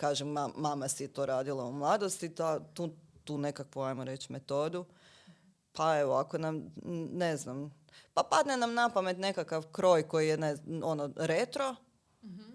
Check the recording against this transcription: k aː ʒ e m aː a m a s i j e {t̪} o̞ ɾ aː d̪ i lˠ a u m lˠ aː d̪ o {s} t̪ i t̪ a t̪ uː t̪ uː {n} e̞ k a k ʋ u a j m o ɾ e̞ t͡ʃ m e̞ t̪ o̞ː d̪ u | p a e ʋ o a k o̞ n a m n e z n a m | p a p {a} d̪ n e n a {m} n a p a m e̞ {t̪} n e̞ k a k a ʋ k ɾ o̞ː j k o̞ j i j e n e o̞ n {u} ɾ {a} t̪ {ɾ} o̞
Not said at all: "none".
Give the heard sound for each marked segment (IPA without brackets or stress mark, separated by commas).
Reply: t̪, s, n, a, m, t̪, o, e, ɾ